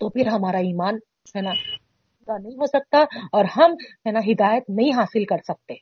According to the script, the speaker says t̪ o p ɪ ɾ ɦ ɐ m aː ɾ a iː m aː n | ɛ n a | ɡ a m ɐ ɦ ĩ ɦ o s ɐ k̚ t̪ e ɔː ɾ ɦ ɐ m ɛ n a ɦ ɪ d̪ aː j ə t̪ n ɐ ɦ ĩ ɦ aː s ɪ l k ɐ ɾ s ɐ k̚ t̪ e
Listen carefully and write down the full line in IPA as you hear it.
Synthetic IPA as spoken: t̪ o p ɪ ɾ ɦ ɐ m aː ɾ a iː m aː n | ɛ n a | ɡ a n ɐ ɦ ĩ ɦ o s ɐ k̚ t̪ a ɔː ɾ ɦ ɐ m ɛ n a ɦ ɪ d̪ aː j ə t̪ n ɐ ɦ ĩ ɦ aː s ɪ l k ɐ ɾ s ɐ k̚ t̪ e